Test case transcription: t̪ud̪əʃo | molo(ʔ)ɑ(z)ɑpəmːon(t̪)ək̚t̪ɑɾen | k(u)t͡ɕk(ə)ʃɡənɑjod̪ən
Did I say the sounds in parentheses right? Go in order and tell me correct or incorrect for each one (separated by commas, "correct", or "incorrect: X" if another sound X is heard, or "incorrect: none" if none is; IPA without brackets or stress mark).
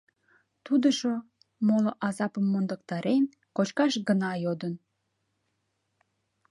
correct, correct, incorrect: d̪, incorrect: o, incorrect: ɑ